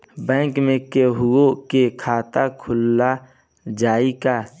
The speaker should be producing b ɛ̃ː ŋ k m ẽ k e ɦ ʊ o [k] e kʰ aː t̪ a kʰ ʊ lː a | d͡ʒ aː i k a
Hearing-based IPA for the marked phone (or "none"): k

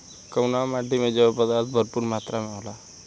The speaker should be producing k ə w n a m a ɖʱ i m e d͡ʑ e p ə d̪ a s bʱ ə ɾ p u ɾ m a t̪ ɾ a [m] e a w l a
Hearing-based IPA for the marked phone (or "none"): m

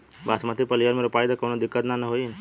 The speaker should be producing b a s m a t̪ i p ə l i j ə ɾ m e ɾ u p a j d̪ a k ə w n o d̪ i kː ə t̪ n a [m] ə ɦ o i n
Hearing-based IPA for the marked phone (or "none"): n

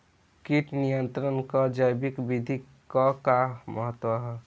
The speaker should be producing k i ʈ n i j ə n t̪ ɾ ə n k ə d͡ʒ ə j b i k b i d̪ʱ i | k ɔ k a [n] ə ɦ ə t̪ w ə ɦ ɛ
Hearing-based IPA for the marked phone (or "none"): m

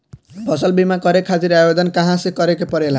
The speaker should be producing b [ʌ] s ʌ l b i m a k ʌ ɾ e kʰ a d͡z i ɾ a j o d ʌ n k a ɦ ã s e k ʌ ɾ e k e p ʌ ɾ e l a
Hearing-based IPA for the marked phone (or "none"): ʌ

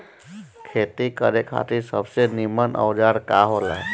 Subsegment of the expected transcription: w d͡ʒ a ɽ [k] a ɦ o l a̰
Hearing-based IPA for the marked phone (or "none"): k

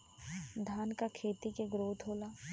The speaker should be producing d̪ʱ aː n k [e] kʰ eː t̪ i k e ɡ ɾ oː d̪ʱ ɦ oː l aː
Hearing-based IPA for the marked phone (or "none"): a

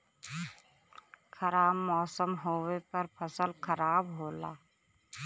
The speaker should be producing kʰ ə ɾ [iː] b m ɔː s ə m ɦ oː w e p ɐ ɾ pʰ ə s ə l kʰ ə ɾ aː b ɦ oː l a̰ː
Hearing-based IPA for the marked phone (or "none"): aː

